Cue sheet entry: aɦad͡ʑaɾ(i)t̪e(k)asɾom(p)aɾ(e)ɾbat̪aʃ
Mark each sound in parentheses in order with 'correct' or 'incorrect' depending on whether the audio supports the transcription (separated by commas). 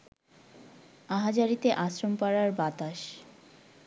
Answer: correct, incorrect, correct, incorrect